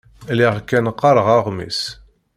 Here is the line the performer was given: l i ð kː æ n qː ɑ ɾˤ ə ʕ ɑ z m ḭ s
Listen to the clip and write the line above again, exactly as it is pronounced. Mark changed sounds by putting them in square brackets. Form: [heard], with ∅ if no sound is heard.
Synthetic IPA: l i [ʁ] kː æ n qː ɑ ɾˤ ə [ʁ] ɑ [ʁ] m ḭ s

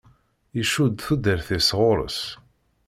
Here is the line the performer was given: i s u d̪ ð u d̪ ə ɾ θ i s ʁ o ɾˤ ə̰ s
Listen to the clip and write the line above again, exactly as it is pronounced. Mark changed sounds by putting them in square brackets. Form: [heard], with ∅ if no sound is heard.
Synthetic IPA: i [ʃ] u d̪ [θ] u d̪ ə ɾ θ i s ʁ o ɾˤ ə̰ s

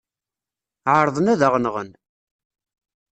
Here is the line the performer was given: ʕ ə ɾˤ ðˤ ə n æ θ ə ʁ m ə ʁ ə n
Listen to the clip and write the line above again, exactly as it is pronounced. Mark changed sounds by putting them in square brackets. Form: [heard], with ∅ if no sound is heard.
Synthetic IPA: ʕ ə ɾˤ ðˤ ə n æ [ð] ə ʁ [n] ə ʁ ə n

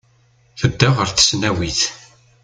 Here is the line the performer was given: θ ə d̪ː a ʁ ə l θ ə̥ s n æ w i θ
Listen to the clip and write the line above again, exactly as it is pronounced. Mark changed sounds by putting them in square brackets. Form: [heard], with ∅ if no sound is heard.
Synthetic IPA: θ ə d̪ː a ʁ ə [ɾ] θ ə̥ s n æ w i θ

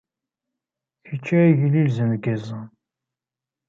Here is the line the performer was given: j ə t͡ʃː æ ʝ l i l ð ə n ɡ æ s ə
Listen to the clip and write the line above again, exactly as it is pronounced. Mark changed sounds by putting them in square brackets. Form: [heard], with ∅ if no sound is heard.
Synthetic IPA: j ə t͡ʃː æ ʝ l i l [z] ə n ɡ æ [z] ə

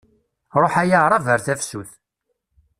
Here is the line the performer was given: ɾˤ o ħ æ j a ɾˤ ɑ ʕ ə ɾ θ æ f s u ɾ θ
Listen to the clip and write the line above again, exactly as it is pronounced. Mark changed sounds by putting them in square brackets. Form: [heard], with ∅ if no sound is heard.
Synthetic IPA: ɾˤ o ħ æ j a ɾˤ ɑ [v] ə ɾ θ æ f s u [∅] θ

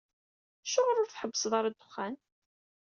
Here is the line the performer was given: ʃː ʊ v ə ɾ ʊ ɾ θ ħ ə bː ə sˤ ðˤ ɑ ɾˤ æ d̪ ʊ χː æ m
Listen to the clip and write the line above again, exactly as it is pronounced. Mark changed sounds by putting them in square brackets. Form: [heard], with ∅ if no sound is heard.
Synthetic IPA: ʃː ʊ [ʁ] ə ɾ ʊ ɾ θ ħ ə bː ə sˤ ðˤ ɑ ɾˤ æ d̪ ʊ χː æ [n]

